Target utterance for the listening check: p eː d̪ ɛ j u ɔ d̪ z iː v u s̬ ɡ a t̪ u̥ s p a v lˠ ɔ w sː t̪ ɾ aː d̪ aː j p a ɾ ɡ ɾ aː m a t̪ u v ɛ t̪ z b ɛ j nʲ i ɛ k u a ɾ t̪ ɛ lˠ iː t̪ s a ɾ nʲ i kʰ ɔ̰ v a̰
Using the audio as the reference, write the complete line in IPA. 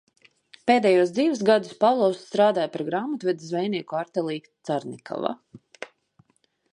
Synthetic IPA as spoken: p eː d̪ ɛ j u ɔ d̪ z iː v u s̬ ɡ a d̪ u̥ s p a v lˠ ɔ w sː t̪ ɾ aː d̪ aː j p a ɾ ɡ ɾ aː m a t̪ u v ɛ d̪ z v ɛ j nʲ i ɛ k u a ɾ t̪ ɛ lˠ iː t̪ s a ɾ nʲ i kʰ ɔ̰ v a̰